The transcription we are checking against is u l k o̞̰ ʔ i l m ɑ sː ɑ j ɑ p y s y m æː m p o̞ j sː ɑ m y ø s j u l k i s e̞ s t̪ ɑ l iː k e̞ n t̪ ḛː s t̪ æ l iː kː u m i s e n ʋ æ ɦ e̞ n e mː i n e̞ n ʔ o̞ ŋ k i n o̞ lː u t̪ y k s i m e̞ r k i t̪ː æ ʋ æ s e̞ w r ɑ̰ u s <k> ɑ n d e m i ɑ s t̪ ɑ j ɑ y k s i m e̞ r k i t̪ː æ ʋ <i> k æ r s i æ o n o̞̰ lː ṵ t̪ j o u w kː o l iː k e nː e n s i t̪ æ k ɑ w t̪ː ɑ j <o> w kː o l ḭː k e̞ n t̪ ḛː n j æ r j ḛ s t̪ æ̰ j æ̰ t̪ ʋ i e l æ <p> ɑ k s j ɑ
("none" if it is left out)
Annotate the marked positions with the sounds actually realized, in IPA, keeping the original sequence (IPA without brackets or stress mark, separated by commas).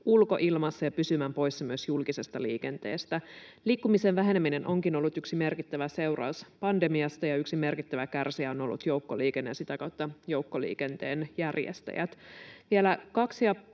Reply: p, æ, o, k